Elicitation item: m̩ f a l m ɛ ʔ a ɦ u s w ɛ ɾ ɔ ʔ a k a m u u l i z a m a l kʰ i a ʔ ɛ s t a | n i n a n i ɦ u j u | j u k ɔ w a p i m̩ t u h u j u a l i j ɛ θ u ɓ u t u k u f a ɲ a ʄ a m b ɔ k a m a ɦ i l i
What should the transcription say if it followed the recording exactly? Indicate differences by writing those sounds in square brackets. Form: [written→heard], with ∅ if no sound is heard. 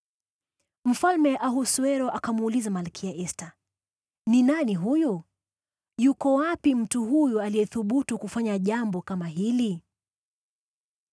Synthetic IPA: m̩ f a l m ɛ ʔ a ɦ u s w ɛ ɾ ɔ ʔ a k a m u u l i z a m a l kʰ i a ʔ ɛ s t a | n i n a n i ɦ u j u | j u k ɔ w a p i m̩ t u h u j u a l i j ɛ θ u ɓ u t u k u f a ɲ a ʄ a m b ɔ k a m a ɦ i l i